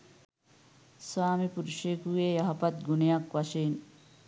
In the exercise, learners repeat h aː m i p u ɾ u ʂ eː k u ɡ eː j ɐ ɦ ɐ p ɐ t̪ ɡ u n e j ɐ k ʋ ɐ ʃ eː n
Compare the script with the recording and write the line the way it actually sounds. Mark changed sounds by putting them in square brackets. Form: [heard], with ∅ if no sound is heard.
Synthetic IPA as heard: [s] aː m i p u ɾ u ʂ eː k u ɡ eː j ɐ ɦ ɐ p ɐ t̪ ɡ u n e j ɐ k ʋ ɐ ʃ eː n